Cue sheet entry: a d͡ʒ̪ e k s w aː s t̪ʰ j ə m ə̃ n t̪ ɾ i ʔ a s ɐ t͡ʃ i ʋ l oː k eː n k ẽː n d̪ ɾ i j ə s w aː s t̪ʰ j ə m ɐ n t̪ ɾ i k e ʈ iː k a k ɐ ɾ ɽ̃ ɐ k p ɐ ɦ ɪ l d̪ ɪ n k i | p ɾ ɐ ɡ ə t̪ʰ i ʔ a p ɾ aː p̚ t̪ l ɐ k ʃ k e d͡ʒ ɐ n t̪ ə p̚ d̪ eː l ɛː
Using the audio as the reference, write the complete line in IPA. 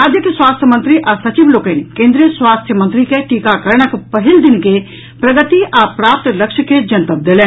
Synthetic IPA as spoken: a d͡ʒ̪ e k s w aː s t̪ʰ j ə m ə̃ n t̪ ɾ i ʔ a s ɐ t͡ʃ i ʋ l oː k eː n k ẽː n d̪ ɾ i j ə s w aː s t̪ʰ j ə m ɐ n t̪ ɾ i k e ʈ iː k a k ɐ ɾ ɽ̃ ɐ k p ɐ ɦ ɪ l d̪ ɪ n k e | p ɾ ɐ ɡ ə t̪ i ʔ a p ɾ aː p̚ t̪ l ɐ k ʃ k e d͡ʒ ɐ n t̪ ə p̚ d̪ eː l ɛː